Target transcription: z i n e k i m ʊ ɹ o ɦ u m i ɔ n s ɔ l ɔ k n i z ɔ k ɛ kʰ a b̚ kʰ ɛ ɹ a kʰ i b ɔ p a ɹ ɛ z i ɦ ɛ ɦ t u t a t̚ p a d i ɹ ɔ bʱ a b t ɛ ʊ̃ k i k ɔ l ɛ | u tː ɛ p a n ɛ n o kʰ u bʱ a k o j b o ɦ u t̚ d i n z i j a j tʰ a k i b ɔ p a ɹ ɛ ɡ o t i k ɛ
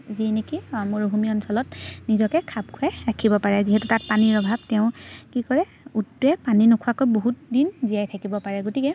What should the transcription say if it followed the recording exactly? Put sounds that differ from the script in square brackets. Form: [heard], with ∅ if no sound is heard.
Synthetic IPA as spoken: z i n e k i m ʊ ɹ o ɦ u m i ɔ n s ɔ l ɔ [t] n i z ɔ k ɛ kʰ a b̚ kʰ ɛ ɹ a kʰ i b ɔ p a ɹ ɛ z i ɦ ɛ [∅] t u t a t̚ p a [n] i ɹ ɔ bʱ a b t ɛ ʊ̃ k i k ɔ [ɹ] ɛ | u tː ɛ p a n [i] n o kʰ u [∅] a k o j b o ɦ u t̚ d i n z i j a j tʰ a k i b ɔ p a ɹ ɛ ɡ o t i k ɛ